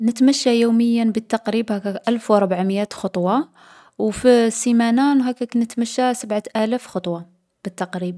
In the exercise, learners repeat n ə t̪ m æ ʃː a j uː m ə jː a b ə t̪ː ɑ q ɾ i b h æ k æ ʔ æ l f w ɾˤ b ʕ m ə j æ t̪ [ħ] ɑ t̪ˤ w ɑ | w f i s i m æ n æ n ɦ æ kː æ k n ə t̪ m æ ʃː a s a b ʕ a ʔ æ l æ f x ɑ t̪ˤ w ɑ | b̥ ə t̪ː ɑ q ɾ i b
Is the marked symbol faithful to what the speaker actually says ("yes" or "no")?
no